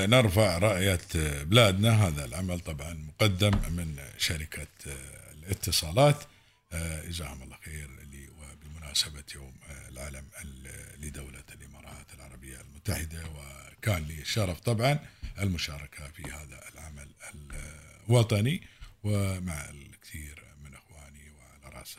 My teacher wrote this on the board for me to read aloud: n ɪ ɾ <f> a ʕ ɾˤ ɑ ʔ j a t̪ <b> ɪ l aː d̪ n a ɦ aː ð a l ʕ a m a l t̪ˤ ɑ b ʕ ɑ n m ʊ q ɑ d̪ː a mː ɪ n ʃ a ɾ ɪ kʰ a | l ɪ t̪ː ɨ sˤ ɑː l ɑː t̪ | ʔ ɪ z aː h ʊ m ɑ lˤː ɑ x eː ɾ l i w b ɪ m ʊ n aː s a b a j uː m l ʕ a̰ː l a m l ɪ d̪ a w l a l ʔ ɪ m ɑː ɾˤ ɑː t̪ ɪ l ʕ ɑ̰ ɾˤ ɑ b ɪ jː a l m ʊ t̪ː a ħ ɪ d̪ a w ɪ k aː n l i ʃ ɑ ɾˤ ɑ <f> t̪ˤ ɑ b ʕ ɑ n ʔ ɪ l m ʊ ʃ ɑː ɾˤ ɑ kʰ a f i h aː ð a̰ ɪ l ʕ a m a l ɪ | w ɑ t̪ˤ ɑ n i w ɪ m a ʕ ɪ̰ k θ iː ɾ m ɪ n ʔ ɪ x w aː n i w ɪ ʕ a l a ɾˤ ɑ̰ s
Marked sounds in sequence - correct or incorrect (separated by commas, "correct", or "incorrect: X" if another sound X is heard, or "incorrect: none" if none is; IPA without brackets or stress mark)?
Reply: correct, correct, correct